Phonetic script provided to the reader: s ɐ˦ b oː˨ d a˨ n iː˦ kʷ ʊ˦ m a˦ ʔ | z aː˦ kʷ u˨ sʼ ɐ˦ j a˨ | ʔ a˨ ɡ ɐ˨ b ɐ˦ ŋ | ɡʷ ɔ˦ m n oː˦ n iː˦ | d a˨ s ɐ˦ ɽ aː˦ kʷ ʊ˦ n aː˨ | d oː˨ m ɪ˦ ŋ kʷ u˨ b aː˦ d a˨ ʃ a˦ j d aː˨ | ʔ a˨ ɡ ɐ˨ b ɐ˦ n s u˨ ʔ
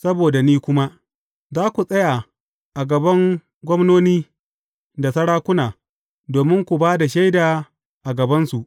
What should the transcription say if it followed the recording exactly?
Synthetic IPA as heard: s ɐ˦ b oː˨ d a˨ n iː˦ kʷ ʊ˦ m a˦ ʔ | z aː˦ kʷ u˨ sʼ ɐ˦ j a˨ | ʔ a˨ ɡ ɐ˨ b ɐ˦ ŋ | ɡʷ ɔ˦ m n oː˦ n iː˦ | d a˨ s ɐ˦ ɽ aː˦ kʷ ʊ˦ n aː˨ | d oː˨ m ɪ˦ ŋ kʷ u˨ b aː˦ d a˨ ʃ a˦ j d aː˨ | ʔ a˨ ɡ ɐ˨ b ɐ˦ n s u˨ ʔ